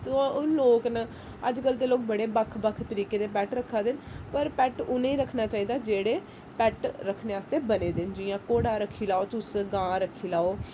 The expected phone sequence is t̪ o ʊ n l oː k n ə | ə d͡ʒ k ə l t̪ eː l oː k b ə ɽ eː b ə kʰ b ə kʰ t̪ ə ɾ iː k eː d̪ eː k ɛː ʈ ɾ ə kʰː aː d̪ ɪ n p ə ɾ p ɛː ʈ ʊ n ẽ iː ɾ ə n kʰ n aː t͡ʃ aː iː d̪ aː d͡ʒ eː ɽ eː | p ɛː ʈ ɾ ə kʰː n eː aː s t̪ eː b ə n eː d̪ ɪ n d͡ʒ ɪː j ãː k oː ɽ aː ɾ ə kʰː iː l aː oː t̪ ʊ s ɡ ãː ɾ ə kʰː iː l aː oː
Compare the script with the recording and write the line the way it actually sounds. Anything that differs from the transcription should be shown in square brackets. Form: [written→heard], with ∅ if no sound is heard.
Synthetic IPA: t̪ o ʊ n l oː k n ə | ə d͡ʒ k ə l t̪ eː l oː k b ə ɽ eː b ə kʰ b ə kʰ t̪ ə ɾ iː k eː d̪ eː [k→p] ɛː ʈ ɾ ə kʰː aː d̪ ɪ n p ə ɾ p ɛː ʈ ʊ n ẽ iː ɾ ə [n→∅] kʰ n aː t͡ʃ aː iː d̪ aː d͡ʒ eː ɽ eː | p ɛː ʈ ɾ ə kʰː n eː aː s t̪ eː b ə n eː d̪ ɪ n d͡ʒ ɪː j ãː k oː ɽ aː ɾ ə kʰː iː l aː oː t̪ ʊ s ɡ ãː ɾ ə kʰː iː l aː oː